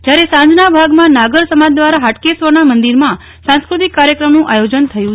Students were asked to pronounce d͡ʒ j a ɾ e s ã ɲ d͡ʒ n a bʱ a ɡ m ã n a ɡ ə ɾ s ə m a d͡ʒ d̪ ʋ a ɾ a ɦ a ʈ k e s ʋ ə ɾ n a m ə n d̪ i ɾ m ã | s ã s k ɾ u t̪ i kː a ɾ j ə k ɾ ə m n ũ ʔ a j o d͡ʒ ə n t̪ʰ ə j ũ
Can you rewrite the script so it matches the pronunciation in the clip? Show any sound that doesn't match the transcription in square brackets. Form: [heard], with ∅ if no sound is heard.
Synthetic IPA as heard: d͡ʒ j a ɾ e s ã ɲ d͡ʒ n a bʱ a ɡ m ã n a ɡ ə ɾ s ə m a d͡ʒ d̪ ʋ a ɾ a ɦ a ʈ k e s ʋ ə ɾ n a m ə n d̪ i ɾ m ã | s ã s k ɾ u t̪ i kː a ɾ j ə k ɾ ə m n ũ ʔ a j o d͡ʒ ə n t̪ʰ ə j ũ